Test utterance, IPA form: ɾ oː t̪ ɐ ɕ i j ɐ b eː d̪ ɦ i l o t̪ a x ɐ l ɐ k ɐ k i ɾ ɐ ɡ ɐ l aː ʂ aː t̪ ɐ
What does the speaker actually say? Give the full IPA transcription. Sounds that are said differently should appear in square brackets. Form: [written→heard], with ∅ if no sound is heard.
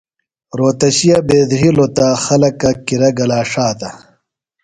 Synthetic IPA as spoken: ɾ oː t̪ ɐ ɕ i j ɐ b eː d̪ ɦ i l o t̪ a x ɐ l ɐ k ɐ k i ɾ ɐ ɡ ɐ l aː ʂ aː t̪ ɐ